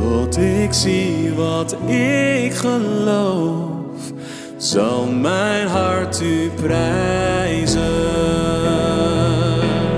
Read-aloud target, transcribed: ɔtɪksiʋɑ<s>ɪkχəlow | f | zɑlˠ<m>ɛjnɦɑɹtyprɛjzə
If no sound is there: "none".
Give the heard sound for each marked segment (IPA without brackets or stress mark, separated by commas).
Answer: t, m